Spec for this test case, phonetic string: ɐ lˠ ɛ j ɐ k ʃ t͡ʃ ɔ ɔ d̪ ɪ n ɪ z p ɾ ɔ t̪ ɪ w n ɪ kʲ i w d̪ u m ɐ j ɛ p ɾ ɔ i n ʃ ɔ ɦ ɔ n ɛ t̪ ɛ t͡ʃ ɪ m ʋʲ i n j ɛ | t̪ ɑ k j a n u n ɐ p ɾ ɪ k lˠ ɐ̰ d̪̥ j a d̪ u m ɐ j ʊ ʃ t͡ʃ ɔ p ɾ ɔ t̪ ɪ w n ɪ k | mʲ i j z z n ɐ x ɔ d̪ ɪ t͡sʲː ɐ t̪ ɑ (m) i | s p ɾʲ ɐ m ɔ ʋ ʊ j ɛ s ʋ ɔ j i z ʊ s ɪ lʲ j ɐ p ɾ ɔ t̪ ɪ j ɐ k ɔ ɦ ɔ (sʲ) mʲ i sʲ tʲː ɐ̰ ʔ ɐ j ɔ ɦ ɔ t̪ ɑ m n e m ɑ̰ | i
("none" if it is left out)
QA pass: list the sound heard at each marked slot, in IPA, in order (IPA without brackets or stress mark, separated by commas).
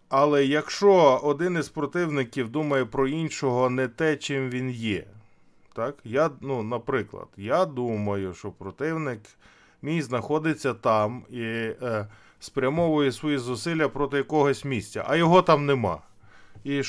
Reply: m, sʲ